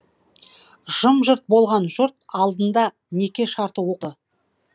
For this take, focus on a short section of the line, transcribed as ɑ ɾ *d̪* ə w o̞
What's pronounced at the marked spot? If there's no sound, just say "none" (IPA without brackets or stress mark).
t̪